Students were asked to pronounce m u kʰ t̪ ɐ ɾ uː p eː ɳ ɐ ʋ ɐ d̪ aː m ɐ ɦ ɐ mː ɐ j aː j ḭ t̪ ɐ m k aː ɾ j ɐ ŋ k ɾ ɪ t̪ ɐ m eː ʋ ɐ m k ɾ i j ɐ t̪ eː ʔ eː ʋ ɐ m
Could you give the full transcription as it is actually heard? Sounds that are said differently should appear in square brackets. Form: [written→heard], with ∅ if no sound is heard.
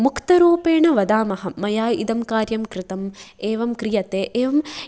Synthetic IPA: m u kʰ t̪ ɐ ɾ uː p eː ɳ ɐ ʋ ɐ d̪ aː m ɐ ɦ ɐ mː ɐ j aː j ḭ [t̪→d̪] ɐ m k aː ɾ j ɐ [ŋ→m] k ɾ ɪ t̪ ɐ m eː ʋ ɐ m k ɾ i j ɐ t̪ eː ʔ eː ʋ ɐ m